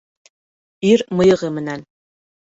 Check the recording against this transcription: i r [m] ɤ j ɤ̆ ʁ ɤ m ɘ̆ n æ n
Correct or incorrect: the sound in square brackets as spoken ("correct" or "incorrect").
correct